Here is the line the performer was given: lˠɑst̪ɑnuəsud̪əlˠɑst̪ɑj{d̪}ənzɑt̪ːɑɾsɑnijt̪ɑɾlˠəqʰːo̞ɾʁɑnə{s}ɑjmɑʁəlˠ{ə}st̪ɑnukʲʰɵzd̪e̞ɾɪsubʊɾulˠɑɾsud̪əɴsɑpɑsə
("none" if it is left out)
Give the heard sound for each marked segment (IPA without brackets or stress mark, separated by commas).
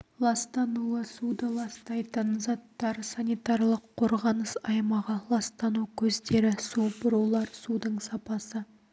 t̪, s, ɑ